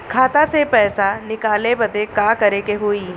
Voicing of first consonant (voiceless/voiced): voiceless